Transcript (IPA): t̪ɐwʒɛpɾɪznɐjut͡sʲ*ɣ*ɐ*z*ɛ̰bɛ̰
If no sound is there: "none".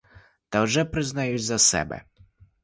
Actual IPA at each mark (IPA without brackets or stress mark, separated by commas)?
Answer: z, s